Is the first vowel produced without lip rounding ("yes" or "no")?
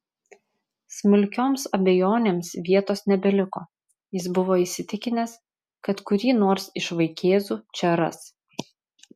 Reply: no